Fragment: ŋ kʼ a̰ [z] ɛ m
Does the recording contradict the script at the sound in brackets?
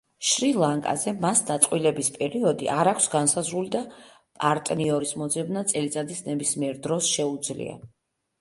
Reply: no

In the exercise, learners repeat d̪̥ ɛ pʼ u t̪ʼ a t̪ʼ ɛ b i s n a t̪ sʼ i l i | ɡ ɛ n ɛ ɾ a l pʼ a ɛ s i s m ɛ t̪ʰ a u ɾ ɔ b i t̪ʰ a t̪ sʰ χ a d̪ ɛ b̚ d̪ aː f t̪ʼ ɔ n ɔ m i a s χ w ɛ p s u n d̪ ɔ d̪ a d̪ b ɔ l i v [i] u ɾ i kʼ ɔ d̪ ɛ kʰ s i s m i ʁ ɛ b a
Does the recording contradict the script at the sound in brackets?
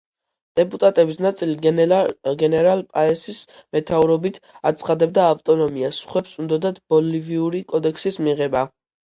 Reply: no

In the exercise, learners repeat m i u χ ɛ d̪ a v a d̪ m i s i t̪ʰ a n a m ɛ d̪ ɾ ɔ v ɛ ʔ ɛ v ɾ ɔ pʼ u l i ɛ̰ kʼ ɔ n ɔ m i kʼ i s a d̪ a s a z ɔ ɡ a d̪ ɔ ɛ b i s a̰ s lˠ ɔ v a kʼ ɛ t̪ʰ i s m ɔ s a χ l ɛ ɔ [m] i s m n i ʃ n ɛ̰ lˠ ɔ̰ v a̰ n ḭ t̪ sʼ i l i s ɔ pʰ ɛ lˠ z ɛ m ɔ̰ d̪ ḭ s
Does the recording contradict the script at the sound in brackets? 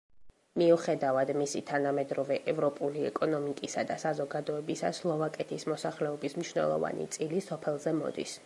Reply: yes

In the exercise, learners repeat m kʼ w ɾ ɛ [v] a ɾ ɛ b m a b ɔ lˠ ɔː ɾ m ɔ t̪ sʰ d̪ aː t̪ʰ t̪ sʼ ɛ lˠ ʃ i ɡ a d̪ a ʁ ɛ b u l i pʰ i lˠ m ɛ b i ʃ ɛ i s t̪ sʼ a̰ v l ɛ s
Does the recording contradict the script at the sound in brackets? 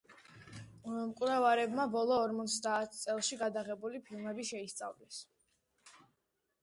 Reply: no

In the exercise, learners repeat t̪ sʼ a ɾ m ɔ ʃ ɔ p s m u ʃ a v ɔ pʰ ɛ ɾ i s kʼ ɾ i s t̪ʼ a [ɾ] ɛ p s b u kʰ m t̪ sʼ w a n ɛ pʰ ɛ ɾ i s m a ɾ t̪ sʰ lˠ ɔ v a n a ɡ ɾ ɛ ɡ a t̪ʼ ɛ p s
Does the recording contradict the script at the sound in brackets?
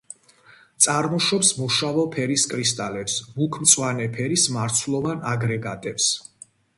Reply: yes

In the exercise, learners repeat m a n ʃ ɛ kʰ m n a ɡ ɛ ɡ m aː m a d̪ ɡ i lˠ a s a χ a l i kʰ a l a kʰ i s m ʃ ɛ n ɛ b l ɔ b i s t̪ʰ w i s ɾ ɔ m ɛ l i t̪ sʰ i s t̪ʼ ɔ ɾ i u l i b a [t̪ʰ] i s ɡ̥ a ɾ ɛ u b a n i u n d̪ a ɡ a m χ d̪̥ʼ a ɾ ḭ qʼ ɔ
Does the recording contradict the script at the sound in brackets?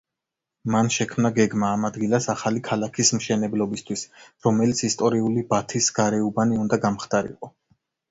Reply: no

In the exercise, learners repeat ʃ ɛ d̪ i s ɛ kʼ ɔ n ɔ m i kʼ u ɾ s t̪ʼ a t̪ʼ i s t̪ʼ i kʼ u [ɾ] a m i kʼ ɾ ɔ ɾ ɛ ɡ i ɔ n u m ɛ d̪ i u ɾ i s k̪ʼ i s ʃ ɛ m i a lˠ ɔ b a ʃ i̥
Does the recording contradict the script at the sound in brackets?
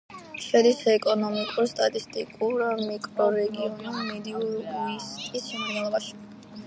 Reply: no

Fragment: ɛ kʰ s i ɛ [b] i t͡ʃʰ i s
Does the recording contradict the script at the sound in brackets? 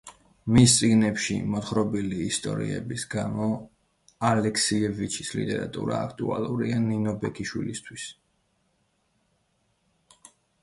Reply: yes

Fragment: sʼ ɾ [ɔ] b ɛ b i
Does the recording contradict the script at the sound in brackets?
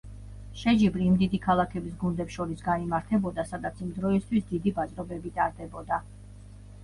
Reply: no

